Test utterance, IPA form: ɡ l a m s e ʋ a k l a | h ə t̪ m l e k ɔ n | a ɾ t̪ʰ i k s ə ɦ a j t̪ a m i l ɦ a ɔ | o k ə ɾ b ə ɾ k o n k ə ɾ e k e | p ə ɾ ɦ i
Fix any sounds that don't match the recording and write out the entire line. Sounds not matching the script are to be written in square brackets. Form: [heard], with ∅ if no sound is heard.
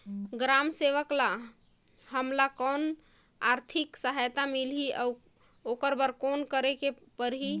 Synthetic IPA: ɡ [ɾ] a m s e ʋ [ə] k l a | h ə [∅] m l [a] k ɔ n | a ɾ t̪ʰ i k s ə ɦ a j t̪ a m i l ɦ [i] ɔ | o k ə ɾ b ə ɾ k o n k ə ɾ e k e | p ə ɾ ɦ i